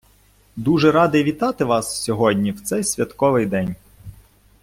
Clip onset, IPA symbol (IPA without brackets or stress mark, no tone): d̪